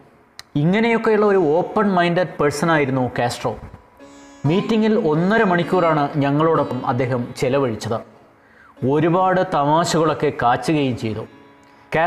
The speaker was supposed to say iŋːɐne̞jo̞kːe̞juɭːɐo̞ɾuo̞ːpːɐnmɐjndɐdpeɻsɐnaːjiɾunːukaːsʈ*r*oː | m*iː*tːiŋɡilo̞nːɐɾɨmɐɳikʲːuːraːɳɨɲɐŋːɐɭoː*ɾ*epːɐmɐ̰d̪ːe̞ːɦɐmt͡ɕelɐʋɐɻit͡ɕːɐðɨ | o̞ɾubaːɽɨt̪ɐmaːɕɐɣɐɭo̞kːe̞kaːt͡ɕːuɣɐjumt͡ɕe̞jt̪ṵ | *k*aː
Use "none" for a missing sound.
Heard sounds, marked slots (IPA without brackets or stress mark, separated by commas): r, iː, ɽ, k